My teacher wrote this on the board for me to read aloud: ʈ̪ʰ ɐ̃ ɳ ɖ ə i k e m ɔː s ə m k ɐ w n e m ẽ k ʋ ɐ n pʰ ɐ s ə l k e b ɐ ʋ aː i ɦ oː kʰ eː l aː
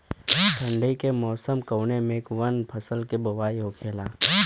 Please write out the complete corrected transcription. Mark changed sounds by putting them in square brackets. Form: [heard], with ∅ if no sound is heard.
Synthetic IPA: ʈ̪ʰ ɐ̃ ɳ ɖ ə i k e m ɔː s ə m k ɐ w n e m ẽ k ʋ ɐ n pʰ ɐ s ə l k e b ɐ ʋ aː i ɦ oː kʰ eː l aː